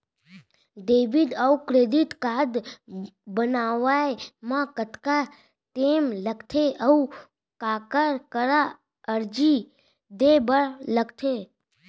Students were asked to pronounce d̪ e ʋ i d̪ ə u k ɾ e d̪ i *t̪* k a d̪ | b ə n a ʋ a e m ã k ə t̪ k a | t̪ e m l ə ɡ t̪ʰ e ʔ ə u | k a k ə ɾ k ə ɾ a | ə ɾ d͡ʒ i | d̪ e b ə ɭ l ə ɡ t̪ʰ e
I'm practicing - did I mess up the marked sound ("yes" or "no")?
no